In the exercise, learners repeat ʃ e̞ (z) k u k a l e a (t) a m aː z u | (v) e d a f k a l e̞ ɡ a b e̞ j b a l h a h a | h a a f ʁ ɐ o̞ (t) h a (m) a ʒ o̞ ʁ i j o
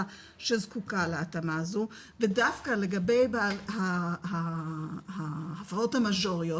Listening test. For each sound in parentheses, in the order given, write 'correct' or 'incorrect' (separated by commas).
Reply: correct, correct, correct, correct, correct